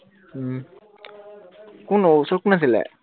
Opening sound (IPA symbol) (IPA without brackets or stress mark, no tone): k